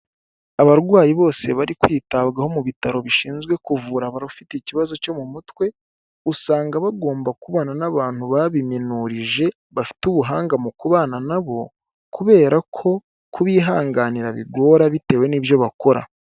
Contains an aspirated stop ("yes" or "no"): yes